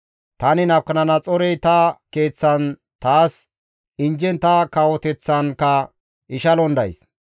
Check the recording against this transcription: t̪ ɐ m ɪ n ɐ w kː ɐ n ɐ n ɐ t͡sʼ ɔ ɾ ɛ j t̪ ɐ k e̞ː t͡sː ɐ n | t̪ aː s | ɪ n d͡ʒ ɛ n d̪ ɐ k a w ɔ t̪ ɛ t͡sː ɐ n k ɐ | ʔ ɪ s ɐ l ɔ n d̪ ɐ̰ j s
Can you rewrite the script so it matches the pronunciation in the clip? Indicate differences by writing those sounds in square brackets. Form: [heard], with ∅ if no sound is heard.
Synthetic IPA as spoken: t̪ ɐ [n] ɪ n ɐ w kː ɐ n ɐ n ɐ t͡sʼ ɔ ɾ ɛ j t̪ ɐ k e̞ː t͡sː ɐ n | t̪ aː s | ɪ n d͡ʒ ɛ n [t̪] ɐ k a w ɔ t̪ ɛ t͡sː ɐ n k ɐ | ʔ ɪ [ʃ] ɐ l ɔ n d̪ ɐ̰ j s

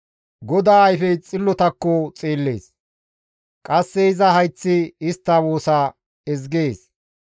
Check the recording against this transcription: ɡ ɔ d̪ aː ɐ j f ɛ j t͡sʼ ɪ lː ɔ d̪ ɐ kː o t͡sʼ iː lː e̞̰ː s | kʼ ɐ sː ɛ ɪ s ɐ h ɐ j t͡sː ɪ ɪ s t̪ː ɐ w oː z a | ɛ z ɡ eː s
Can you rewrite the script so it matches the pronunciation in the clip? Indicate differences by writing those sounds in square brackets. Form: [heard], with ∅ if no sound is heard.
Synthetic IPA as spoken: ɡ ɔ d̪ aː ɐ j f ɛ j t͡sʼ ɪ lː ɔ [t̪] ɐ kː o t͡sʼ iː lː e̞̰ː s | kʼ ɐ sː ɛ ɪ [z] ɐ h ɐ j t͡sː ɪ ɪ s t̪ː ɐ w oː [s] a | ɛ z ɡ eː s

